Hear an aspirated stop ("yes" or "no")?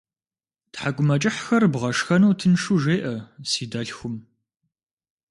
yes